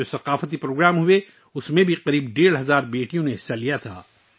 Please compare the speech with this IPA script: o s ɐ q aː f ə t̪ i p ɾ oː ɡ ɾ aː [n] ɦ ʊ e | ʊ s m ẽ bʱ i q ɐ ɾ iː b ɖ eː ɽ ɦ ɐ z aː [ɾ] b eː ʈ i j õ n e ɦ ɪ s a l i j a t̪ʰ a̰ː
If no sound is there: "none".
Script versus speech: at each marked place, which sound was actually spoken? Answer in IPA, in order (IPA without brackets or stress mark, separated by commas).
m, ɾ